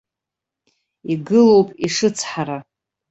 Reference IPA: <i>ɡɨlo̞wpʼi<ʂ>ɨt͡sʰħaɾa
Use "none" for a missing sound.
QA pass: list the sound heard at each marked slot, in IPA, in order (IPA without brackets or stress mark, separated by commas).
i, ʂ